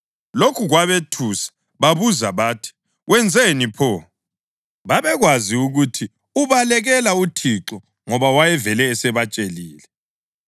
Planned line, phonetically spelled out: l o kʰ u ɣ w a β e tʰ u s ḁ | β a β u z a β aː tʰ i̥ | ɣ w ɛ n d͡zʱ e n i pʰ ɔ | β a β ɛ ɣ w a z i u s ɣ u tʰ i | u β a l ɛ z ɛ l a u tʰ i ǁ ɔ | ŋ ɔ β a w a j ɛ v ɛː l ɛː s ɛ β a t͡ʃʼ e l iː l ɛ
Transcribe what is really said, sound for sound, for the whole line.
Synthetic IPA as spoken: l o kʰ u ɣ w a β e tʰ u s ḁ | β a β u z a β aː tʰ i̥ | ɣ w ɛ n d͡zʱ e n i pʰ ɔ | β a β ɛ ɣ w a z i u ɣ u tʰ i | u β a l ɛ ɣ ɛ l a u tʰ i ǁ ɔ | ŋ ɔ β a w a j ɛ v ɛ l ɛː s ɛ β a t͡ʃʼ e l iː l ɛ

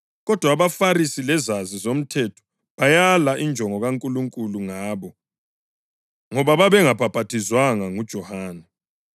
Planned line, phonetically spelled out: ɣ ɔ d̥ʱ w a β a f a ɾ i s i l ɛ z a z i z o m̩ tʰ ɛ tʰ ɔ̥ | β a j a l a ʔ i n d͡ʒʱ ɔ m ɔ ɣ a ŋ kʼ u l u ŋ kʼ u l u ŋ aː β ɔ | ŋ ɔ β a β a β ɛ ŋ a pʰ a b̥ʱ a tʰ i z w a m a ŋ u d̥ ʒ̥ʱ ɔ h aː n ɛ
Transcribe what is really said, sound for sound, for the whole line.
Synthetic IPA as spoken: ɣ ɔ d̥ʱ w a β a f a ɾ i s i l ɛ z a z i z o m̩ tʰ ɛ tʰ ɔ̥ | β a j a l a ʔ i n d͡ʒʱ ɔ ŋ ɔ ɣ a ŋ kʼ u l u ŋ kʼ u l u ŋ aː β ɔ | ŋ ɔ β a β a β ɛ ŋ a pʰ a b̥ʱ a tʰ i z w a ŋ a ŋ u d̥ ʒ̥ʱ ɔ h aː n ɛ

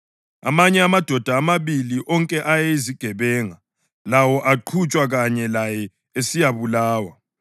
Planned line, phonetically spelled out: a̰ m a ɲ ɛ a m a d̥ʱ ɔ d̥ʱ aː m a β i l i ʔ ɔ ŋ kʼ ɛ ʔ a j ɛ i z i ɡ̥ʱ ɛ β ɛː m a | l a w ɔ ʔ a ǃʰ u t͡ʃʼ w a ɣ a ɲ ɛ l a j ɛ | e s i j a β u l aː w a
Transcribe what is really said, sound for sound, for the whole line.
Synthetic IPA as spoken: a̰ m a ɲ ɛ a m a d̥ʱ ɔ d̥ʱ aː m a β i l i ʔ ɔ ŋ kʼ ɛ ʔ a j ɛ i z i ɡ̥ʱ ɛ β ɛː ŋ a | l a w ɔ ʔ a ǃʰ u t͡ʃʼ w a ɣ a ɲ ɛ l a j ɛ | e s i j a β u l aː w a

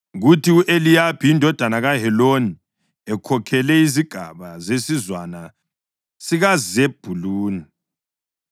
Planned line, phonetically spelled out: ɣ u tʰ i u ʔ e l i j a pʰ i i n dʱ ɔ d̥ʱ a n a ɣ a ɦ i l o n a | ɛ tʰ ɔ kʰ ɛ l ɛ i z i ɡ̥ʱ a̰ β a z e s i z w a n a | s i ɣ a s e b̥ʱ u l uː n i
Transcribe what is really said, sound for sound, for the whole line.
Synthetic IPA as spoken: ɣ u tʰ i u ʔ e l i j a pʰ i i n dʱ ɔ d̥ʱ a n a ɣ a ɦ ɛ l o n i | ɛ kʰ ɔ kʰ ɛ l ɛ i z i ɡ̥ʱ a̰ β a z e s i z w a n a | s i ɣ a z e b̥ʱ u l uː n i

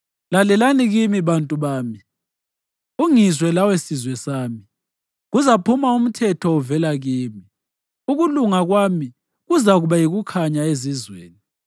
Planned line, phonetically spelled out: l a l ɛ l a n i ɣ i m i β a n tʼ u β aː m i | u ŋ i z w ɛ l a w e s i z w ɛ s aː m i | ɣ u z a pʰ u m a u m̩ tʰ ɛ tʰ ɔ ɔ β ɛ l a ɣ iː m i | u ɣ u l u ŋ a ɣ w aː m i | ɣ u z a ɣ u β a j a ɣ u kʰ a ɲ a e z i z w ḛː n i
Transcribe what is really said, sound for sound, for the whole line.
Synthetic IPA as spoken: l a l ɛ l a n i ɣ i m i β a n tʼ u β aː m i | u ŋ i z w ɛ l a w e s i z w ɛ s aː m i | ɣ u z a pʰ u m a u m̩ tʰ ɛ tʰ ɔ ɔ v ɛ l a ɣ iː m i | u ɣ u l u ŋ a ɣ w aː m i | ɣ u z a ɣ u β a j i ɣ u kʰ a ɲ a e z i z w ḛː n i

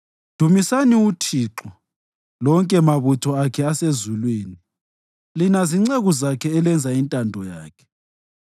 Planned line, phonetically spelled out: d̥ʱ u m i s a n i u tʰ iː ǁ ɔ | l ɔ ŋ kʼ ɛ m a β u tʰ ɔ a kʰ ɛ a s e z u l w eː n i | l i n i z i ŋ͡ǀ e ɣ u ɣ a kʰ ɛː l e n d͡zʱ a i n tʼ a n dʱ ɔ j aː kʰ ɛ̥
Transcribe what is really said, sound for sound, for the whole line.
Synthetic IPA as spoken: d̥ʱ u m i s a n i u tʰ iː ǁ ɔ | l ɔ ŋ kʼ ɛ m a β u tʰ ɔ a kʰ ɛ a s e z u l w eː n i | l i n a z i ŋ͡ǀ e ɣ u z a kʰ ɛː l ɛ n d͡zʱ a i n tʼ a n dʱ ɔ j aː kʰ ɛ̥

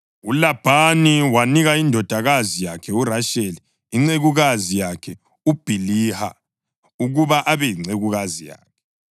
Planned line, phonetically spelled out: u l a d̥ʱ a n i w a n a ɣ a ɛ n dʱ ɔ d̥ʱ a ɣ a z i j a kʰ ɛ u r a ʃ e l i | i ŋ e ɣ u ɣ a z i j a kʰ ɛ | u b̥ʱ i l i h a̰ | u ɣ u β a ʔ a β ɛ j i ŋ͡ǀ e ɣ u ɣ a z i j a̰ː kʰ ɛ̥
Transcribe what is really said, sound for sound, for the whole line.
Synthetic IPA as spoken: u l a b̥ʱ a n i w a n i ɣ a i n dʱ ɔ d̥ʱ a ɣ a z i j a kʰ ɛ u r a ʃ e l i | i ŋ͡ǀ e ɣ u ɣ a z i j a kʰ ɛ | u b̥ʱ i l i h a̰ | u ɣ u β a ʔ a β ɛ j i ŋ͡ǀ e ɣ u ɣ a z i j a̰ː kʰ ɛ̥

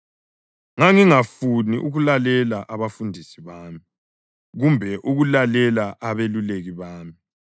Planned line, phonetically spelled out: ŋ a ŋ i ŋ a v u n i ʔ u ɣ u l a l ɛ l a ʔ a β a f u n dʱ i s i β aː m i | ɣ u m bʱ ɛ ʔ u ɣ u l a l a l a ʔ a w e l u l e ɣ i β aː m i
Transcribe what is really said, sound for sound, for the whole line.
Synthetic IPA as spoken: ŋ a ŋ i ŋ a f u n i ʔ u ɣ u l a l ɛ l a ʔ a β a f u n dʱ i s i β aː m i | ɣ u m bʱ ɛ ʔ u ɣ u l a l ɛ l a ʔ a β e l u l e ɣ i β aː m i

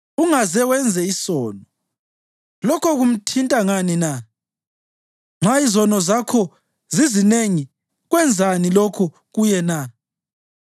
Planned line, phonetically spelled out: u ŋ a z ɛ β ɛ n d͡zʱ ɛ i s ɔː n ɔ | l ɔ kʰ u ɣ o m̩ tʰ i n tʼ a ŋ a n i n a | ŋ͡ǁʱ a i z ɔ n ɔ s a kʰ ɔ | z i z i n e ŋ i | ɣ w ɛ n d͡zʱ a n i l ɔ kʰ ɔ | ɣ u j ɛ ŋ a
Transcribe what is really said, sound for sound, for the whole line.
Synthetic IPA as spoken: u ŋ a z ɛ w ɛ n d͡zʱ ɛ i s ɔː n ɔ | l ɔ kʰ ɔ ɣ u m̩ tʰ i n tʼ a ŋ a n i n a | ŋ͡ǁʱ a i z ɔ n ɔ z a kʰ ɔ | z i z i n e ŋ i | ɣ w ɛ n d͡zʱ a n i l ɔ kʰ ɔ | ɣ u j ɛ n a

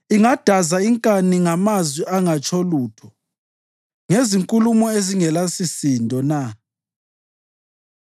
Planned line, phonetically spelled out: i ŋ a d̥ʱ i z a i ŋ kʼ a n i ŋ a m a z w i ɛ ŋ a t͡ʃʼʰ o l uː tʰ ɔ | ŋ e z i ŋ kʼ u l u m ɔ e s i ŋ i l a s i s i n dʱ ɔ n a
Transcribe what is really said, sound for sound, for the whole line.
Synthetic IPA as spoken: i ŋ a d̥ʱ a z a i ŋ kʼ a n i ŋ a m a z w i a ŋ a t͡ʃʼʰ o l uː tʰ ɔ | ŋ e z i ŋ kʼ u l u m ɔ e z i ŋ ɛ l a s i s i n dʱ ɔ n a

